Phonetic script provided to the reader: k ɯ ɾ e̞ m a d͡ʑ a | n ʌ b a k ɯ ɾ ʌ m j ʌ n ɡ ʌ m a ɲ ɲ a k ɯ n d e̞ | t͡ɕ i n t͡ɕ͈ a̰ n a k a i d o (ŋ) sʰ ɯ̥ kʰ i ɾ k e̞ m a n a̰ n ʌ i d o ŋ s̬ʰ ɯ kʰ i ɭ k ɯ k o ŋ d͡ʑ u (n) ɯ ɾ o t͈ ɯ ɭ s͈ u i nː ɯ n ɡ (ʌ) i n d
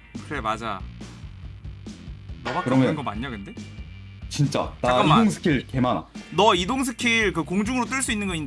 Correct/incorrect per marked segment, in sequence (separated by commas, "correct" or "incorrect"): correct, incorrect, correct